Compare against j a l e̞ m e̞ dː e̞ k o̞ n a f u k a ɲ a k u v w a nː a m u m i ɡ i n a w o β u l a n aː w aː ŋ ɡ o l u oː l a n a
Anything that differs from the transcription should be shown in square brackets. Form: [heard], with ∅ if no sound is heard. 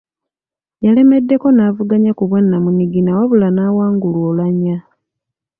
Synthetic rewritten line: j a l e̞ m e̞ dː e̞ k o̞ n a [v] u [ɡ] a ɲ a k u [β] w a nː a m u [n] i ɡ i n a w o β u l a n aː w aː ŋ ɡ [u] l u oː l a [ɲ] a